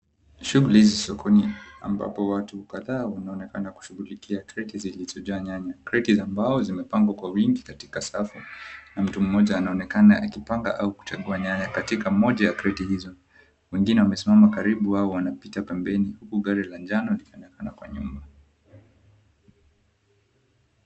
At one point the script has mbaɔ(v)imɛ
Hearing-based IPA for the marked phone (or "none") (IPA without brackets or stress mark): z